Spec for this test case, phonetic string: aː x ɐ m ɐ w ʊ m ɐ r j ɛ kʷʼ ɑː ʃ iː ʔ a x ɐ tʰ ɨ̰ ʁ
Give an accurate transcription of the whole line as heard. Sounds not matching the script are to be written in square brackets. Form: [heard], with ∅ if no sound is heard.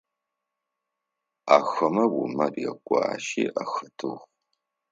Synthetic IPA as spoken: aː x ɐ m ɐ w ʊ m ɐ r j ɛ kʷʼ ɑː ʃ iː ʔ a x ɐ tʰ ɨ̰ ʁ